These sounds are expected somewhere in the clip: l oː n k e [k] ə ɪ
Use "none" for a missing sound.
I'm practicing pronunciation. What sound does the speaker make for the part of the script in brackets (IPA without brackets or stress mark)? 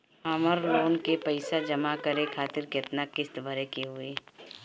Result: p